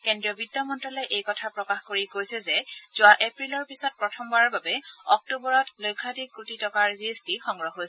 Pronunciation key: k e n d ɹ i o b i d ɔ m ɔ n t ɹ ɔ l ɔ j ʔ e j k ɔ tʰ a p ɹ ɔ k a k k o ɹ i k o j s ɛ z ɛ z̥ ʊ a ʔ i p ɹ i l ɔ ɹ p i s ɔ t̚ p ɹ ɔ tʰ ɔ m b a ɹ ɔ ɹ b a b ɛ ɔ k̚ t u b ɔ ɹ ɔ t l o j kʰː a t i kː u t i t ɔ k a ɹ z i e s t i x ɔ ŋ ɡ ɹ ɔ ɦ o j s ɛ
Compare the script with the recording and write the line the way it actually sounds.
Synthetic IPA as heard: k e n d ɹ i ɔ b i d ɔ m ɔ n t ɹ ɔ l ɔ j ʔ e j k ɔ tʰ a p ɹ ɔ k a x k o ɹ i k o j s ɛ z ɛ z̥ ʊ a ʔ e p ɹ i l ɔ ɹ p i s ɔ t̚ p ɹ ɔ tʰ ɔ m b a ɹ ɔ ɹ b a b ɛ ɔ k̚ t u b ɔ ɹ ɔ t l o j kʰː a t i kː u t i t ɔ k a ɹ z i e s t i x ɔ ŋ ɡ ɹ ɔ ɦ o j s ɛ